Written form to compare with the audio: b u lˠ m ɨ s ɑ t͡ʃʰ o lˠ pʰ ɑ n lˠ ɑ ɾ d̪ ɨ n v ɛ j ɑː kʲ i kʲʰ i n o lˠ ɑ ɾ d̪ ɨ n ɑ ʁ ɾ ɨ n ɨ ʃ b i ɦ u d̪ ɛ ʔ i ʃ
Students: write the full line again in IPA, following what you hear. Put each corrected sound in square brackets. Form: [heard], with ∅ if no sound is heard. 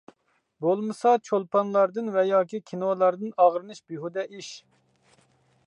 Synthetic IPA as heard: b [o] lˠ m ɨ s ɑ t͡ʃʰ o lˠ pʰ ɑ n lˠ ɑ ɾ d̪ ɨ n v ɛ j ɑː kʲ i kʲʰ i n o lˠ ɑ ɾ d̪ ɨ n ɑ ʁ ɾ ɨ n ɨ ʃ b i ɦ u d̪ ɛ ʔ i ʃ